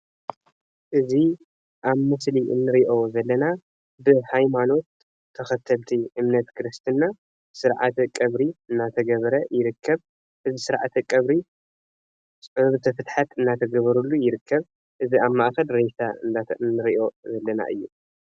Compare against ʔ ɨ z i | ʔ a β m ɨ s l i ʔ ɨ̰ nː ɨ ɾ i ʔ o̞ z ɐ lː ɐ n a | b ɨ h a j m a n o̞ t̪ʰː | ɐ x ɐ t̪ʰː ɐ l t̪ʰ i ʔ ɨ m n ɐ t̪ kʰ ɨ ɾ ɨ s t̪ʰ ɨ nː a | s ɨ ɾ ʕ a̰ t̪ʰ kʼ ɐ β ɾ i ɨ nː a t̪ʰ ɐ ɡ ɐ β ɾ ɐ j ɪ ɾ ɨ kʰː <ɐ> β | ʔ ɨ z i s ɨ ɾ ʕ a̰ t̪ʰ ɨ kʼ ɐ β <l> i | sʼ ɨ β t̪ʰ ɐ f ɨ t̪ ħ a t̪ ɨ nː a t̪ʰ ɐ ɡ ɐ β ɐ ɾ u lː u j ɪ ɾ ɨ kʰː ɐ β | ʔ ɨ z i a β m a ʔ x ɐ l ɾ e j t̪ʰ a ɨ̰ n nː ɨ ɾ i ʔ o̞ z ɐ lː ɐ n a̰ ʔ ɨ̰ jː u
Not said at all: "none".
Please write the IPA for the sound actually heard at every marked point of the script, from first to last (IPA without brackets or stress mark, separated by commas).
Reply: ɐ, ɾ